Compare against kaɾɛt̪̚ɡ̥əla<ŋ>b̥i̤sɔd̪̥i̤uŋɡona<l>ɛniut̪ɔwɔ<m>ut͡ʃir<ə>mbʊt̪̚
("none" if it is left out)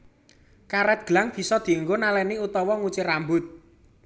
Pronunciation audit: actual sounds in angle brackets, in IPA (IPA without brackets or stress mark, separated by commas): ŋ, l, ŋ, a